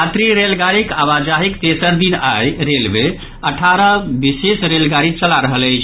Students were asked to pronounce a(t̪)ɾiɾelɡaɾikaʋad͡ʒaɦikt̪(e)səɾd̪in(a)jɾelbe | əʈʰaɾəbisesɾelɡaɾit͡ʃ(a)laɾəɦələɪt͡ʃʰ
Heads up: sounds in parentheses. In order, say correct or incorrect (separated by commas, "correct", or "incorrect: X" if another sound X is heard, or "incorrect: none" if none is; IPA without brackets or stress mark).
correct, correct, correct, incorrect: ə